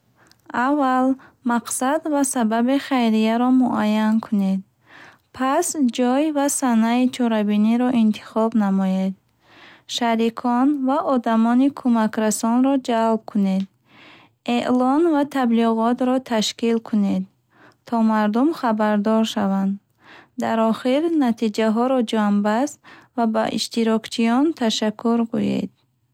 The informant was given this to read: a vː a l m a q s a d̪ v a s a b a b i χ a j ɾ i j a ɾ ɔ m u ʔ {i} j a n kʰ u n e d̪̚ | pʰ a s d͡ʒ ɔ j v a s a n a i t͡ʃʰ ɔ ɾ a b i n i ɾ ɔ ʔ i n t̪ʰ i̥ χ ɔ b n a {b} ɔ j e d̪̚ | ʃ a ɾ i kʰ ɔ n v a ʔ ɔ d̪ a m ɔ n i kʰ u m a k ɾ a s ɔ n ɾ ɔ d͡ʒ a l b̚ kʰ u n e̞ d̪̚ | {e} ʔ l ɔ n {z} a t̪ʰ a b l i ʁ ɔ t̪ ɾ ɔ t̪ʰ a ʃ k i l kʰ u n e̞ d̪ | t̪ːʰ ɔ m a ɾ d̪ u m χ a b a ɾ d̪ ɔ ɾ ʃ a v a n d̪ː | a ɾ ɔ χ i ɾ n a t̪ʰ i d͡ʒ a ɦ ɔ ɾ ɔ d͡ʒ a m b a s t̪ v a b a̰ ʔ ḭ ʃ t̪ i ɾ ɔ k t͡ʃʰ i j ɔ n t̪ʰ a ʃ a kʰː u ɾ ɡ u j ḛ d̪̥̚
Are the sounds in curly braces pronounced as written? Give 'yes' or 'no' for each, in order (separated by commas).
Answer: no, no, yes, no